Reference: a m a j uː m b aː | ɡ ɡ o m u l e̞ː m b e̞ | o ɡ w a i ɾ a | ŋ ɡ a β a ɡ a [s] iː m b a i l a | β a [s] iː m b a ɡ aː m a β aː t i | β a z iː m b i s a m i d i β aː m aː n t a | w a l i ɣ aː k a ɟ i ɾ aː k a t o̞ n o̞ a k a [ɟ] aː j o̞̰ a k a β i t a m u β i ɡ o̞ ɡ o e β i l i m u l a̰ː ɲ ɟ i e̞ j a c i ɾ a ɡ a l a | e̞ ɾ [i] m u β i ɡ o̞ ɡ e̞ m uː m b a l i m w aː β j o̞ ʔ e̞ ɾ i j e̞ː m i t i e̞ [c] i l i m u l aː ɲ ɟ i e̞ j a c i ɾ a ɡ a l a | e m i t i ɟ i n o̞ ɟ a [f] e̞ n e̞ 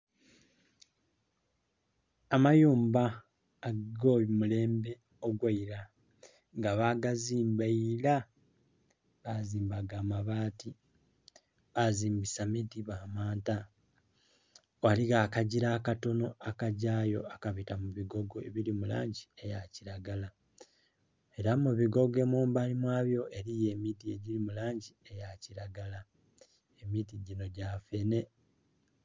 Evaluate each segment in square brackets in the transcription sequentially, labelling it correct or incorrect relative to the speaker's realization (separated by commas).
incorrect, incorrect, correct, incorrect, incorrect, correct